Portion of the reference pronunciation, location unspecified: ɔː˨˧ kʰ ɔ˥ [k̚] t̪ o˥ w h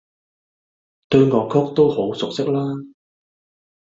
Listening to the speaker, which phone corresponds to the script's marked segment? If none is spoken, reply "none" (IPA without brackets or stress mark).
k̚